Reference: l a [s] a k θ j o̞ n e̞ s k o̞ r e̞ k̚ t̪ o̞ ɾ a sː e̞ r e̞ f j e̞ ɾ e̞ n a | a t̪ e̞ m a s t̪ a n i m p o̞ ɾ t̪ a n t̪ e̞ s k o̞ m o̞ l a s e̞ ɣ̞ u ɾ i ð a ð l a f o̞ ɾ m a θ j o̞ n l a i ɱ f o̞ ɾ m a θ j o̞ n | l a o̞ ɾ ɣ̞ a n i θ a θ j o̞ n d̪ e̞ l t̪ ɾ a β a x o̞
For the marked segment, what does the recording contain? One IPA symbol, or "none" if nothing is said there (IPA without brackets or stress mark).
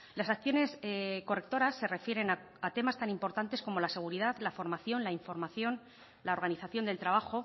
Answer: s